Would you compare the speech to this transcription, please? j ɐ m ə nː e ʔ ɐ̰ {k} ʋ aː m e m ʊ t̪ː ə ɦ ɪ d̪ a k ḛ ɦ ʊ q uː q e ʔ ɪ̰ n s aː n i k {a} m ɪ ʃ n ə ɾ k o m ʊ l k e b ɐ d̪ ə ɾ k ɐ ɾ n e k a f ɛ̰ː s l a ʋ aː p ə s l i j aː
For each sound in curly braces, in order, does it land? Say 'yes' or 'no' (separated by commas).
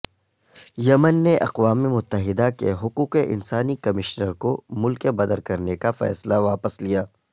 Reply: no, no